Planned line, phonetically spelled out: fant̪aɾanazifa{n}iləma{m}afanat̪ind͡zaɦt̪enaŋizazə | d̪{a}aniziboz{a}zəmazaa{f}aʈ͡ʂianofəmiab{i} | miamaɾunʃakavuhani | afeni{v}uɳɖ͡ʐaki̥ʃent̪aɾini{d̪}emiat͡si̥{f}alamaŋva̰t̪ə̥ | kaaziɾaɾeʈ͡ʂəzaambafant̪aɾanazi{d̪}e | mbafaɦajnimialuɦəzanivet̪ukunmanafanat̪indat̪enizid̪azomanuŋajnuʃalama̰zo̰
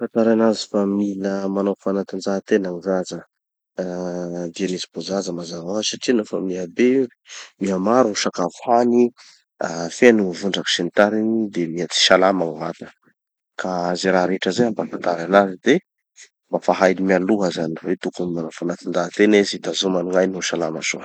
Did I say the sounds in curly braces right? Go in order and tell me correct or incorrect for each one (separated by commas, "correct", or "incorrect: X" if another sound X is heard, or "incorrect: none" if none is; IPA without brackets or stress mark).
incorrect: m, incorrect: n, incorrect: i, correct, incorrect: s, incorrect: e, correct, correct, incorrect: ʃ, correct